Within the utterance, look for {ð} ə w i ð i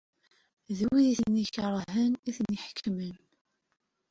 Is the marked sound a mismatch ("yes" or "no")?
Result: no